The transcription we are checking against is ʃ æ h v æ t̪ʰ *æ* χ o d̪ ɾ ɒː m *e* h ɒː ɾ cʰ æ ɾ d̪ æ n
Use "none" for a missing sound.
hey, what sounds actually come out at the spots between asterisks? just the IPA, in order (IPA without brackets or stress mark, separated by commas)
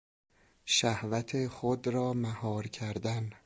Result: e, æ